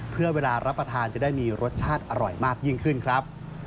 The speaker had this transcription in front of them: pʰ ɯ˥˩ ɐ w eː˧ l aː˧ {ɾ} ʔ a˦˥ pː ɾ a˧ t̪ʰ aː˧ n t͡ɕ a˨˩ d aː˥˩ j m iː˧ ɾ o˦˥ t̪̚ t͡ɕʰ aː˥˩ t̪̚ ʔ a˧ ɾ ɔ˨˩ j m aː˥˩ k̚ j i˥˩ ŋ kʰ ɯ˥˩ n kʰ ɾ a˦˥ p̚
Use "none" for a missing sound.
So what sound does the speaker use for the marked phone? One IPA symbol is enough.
ɾ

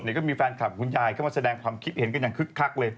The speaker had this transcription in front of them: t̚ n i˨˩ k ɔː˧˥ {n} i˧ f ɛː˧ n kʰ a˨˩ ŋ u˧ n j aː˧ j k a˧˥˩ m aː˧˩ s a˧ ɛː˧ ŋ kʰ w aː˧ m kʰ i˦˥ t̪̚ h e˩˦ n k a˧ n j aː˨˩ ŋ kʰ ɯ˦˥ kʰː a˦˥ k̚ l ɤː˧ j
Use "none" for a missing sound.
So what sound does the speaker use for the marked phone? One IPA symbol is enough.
m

